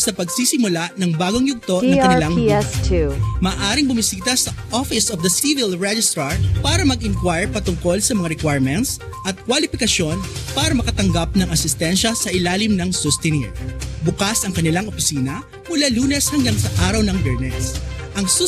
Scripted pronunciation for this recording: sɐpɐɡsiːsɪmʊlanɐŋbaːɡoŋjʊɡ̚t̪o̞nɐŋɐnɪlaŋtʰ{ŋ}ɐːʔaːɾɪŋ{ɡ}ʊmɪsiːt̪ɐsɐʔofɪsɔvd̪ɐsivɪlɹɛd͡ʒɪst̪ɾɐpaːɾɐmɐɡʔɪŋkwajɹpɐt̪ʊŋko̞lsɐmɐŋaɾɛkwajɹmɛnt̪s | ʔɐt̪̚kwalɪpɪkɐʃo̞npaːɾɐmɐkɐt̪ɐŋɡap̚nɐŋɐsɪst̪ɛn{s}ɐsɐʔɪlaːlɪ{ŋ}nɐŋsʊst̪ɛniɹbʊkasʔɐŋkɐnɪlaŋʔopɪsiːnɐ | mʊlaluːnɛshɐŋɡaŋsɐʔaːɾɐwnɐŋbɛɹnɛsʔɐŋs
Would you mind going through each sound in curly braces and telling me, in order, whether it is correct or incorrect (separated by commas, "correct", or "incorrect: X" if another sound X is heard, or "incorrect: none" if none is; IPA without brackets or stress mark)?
incorrect: m, incorrect: b, incorrect: ʃ, incorrect: m